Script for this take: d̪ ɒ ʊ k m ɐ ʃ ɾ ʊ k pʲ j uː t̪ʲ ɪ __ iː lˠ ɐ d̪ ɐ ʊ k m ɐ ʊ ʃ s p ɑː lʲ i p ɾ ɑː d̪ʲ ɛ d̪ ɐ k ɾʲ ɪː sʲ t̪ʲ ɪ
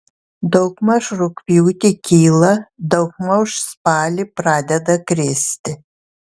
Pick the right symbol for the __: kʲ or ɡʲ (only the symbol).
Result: kʲ